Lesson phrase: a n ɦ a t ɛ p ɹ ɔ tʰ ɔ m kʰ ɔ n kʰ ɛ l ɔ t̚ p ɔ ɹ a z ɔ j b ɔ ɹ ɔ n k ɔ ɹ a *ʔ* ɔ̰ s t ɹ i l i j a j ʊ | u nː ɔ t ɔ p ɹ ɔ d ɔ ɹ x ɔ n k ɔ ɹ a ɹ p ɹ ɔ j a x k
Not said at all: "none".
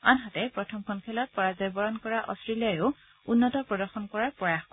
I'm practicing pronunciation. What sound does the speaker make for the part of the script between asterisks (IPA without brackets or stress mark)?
ʔ